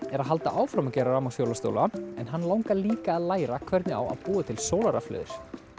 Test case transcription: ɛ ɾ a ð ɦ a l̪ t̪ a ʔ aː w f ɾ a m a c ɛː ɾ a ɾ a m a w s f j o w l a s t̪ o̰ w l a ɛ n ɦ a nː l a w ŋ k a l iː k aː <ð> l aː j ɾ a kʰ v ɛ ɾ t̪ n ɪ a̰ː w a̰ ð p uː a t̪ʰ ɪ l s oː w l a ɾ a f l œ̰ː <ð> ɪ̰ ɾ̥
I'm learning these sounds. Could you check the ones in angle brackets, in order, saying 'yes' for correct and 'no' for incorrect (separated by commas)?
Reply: yes, yes